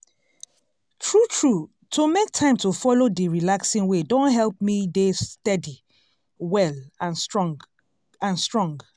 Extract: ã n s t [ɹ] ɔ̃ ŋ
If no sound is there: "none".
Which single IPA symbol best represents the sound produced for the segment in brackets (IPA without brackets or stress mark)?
ɹ